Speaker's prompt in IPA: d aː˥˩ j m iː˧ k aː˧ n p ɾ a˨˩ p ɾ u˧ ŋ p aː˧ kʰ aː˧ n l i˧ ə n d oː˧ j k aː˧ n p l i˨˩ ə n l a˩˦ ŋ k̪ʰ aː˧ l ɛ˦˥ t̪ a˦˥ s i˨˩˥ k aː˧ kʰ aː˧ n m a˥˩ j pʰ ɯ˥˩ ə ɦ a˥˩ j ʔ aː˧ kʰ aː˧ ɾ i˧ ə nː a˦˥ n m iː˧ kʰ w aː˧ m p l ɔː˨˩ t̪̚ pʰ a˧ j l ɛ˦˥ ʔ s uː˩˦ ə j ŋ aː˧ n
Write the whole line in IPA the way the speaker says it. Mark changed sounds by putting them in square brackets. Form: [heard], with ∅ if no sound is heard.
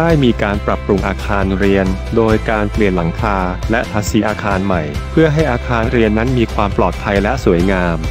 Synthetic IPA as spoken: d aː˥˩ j m iː˧ k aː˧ n p ɾ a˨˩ p ɾ u˧ ŋ [ʔ] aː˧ kʰ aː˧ n [ɾ] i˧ ə n d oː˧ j k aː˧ n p l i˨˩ ə n l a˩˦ ŋ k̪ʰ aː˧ l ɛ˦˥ [t̪ʰ] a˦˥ s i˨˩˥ [ʔ] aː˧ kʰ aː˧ n m [a˨˩] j pʰ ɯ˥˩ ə ɦ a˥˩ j ʔ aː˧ kʰ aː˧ ɾ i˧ ə nː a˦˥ n m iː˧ kʰ w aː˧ m p l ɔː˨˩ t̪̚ pʰ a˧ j l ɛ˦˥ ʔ s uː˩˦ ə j ŋ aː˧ [m]